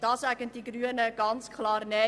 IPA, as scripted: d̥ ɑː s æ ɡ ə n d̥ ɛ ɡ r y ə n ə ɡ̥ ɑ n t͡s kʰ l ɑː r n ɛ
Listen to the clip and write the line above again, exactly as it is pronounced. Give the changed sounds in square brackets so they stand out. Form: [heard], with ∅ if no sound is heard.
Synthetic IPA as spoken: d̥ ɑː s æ ɡ ə n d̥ [i] ɡ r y ə n ə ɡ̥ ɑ n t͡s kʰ l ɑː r n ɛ